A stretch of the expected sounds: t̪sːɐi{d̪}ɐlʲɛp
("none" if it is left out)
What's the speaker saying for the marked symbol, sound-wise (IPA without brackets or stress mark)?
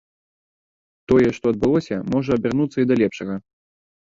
d̪